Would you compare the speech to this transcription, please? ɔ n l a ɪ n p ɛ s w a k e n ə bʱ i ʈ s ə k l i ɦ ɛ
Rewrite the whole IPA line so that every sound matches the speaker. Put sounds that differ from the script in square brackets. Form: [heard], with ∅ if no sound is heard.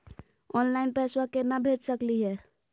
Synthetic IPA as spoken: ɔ n l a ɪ n p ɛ s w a k e n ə bʱ [e] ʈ s ə k l i ɦ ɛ